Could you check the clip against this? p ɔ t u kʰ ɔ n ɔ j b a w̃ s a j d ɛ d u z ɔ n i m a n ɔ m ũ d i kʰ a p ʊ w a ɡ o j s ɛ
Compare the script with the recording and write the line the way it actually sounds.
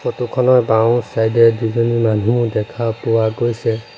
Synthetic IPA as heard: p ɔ t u kʰ ɔ n ɔ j b a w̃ s a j d ɛ d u z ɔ n i m a n u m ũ d ɛ kʰ a p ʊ w a ɡ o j s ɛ

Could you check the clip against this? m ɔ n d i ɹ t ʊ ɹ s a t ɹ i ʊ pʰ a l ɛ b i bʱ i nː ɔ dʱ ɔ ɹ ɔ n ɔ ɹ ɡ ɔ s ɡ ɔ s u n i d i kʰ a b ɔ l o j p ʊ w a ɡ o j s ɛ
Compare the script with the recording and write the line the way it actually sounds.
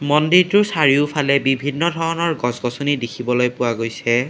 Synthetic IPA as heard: m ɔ n d i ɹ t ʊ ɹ s a ɹ i ʊ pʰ a l ɛ b i bʱ i nː ɔ dʱ ɔ ɹ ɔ n ɔ ɹ ɡ ɔ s ɡ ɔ s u n i d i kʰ i b ɔ l o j p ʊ w a ɡ o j s ɛ

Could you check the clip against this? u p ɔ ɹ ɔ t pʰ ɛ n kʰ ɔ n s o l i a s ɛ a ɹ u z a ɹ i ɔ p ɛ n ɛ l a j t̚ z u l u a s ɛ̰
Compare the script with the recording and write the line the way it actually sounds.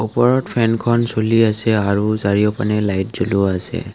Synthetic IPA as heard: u p ɔ ɹ ɔ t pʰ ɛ n kʰ ɔ n s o l i a s ɛ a ɹ u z a ɹ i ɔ p a n ɛ l a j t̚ z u l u a s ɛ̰

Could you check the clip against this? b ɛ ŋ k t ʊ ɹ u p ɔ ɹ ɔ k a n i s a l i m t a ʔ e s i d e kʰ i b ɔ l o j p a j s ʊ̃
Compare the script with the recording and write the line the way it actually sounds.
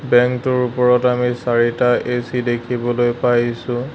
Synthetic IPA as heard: b ɛ ŋ k t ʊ ɹ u p ɔ ɹ ɔ t a m i s a ɹ i t a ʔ e s i d e kʰ i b ɔ l o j p a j s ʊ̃

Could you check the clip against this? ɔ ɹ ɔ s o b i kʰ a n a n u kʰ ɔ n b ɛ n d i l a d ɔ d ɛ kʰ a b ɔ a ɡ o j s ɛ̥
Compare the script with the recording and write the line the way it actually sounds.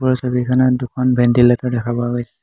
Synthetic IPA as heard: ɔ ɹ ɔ s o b i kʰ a n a d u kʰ ɔ n b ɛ n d i l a t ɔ d ɛ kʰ a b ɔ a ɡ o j s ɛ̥

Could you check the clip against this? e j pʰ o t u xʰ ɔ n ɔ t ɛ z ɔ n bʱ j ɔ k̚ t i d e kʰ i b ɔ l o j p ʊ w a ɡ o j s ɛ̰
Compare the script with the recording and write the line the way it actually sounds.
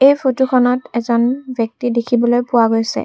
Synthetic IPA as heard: e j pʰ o t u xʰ ɔ n ɔ t ɛ z ɔ n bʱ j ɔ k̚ t i d e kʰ i b ɔ l o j p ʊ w a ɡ o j s ɛ̰

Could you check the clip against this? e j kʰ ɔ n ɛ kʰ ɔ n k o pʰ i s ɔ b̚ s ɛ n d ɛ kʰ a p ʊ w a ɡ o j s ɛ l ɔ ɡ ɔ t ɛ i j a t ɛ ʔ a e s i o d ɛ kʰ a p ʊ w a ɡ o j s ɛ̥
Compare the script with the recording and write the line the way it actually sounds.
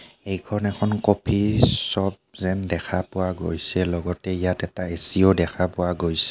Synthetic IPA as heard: e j kʰ ɔ n ɛ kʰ ɔ n k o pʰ i s ɔ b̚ z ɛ n d ɛ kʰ a p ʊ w a ɡ o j s ɛ l ɔ ɡ ɔ t ɛ i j a t ɛ t a e s i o d ɛ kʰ a p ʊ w a ɡ o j s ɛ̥

